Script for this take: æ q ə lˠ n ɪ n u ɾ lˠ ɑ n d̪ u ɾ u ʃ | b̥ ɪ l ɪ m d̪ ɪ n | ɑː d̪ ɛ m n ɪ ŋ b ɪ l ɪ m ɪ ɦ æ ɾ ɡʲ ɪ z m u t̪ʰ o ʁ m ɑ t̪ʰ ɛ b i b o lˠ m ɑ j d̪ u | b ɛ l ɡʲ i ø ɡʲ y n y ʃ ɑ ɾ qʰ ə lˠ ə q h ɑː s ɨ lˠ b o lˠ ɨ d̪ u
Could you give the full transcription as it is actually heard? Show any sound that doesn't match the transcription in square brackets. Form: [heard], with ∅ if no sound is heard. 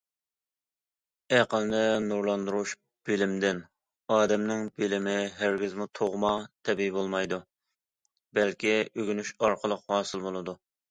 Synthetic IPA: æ q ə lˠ n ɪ n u ɾ lˠ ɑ n d̪ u ɾ u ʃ | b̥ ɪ l ɪ m d̪ ɪ n | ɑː d̪ ɛ m n ɪ ŋ b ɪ l ɪ m ɪ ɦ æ ɾ ɡʲ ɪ z m u t̪ʰ o ʁ m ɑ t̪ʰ ɛ b i b o lˠ m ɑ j d̪ u | b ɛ l [kʲ] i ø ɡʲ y n y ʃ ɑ ɾ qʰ ə lˠ ə q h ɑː s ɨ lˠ b o lˠ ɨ d̪ u